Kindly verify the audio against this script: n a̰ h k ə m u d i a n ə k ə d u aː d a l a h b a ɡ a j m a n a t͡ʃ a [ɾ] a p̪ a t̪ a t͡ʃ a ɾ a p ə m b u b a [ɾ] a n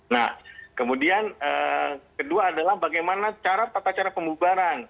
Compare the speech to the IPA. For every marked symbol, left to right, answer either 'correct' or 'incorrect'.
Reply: correct, correct

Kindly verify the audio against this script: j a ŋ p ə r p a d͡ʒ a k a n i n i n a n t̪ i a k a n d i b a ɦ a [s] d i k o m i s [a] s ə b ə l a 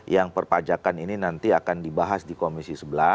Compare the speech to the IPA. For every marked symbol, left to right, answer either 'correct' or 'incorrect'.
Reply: correct, incorrect: i

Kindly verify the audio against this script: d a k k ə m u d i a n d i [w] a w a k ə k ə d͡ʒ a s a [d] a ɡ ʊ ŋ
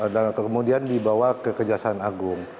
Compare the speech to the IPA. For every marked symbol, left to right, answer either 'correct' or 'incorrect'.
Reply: incorrect: b, incorrect: n

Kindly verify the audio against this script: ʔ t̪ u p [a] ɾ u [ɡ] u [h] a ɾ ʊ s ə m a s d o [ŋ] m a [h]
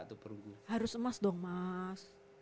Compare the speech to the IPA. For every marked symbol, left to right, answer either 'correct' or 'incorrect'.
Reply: incorrect: ə, correct, correct, correct, incorrect: s

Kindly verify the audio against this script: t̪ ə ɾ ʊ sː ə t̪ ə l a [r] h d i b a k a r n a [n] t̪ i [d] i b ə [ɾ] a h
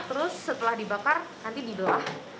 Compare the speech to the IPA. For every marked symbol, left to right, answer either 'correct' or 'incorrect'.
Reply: incorrect: none, correct, correct, incorrect: l

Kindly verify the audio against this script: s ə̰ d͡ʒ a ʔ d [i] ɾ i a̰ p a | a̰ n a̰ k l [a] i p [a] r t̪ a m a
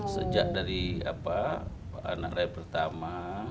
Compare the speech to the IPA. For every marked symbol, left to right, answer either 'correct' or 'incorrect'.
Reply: incorrect: a, correct, incorrect: ə

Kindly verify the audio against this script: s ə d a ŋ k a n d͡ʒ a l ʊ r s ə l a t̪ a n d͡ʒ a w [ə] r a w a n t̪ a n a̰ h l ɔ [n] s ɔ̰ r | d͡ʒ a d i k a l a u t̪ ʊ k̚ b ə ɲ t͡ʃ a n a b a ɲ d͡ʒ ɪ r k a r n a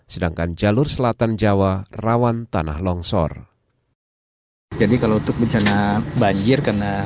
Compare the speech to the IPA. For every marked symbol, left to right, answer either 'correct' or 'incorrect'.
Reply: incorrect: a, incorrect: ŋ

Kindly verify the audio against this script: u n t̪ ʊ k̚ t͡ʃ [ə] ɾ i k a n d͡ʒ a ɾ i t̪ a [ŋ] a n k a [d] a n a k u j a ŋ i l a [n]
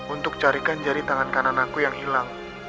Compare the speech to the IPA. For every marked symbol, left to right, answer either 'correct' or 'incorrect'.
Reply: incorrect: a, correct, incorrect: n, incorrect: ŋ

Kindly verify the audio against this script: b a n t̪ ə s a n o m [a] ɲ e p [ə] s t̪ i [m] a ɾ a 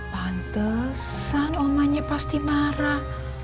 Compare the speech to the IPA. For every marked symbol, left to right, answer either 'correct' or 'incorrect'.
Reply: correct, incorrect: a, correct

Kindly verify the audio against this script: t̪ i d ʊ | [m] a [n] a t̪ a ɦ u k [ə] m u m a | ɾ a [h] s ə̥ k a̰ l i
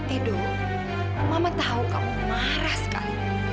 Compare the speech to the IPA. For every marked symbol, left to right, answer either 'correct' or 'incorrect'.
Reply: correct, incorrect: m, incorrect: a, correct

